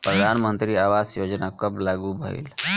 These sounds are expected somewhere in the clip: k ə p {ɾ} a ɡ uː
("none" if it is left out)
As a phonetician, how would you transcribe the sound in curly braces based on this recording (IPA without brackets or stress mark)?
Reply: l